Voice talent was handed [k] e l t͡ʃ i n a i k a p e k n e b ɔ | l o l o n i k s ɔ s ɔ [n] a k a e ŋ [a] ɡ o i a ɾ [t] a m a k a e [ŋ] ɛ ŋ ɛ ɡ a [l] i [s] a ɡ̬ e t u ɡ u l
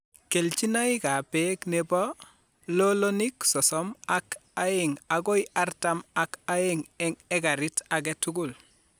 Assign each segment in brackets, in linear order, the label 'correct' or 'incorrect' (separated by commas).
correct, incorrect, correct, correct, correct, incorrect, incorrect